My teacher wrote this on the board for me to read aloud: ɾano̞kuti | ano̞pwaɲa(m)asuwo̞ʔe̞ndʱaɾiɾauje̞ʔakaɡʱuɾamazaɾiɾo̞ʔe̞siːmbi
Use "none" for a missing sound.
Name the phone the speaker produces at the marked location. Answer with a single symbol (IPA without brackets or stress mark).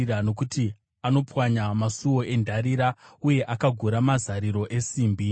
m